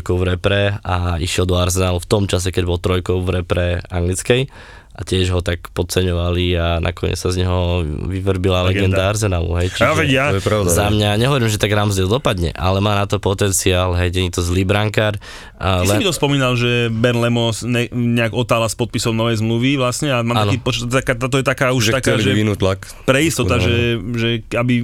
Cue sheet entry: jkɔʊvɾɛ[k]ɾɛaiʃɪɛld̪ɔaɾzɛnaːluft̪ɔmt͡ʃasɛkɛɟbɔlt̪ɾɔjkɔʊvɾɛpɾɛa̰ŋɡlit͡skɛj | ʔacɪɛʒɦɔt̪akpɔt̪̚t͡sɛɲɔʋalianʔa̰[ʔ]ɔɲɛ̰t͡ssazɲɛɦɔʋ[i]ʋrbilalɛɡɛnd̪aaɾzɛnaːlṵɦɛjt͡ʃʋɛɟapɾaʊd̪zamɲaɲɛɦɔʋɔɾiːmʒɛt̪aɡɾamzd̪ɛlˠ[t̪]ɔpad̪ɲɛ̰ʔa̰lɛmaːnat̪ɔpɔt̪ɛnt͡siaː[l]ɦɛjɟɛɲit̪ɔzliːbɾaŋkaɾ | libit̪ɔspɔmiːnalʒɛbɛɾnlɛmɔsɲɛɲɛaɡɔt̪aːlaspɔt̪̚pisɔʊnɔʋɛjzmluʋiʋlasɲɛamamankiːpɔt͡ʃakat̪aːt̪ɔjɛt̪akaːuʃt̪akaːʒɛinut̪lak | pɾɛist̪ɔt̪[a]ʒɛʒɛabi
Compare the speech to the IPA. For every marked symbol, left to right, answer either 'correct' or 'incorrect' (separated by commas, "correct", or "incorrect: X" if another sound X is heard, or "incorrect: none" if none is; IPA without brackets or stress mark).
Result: incorrect: p, incorrect: k, correct, incorrect: d̪, correct, correct